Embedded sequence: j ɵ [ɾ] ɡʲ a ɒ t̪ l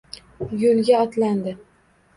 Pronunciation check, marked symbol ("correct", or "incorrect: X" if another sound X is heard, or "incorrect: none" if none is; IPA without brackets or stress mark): incorrect: l